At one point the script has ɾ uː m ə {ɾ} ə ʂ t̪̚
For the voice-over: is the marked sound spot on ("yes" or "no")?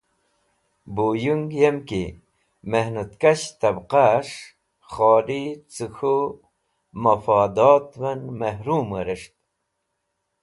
yes